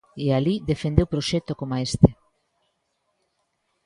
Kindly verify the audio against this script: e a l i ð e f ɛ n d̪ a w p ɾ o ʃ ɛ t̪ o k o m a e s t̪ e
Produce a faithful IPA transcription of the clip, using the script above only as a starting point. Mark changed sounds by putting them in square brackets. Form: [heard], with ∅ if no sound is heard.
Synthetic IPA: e a l i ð e f [e] n d̪ [e] w p ɾ o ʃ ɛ t̪ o k o m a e s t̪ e